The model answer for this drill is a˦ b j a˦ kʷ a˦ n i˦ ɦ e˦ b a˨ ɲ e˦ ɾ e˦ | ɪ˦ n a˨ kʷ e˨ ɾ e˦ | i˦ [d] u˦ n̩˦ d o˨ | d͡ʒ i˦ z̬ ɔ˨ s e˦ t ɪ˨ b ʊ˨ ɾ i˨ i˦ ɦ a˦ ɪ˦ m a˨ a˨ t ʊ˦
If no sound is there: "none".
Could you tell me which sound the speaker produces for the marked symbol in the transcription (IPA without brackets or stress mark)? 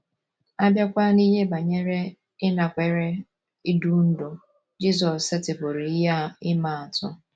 d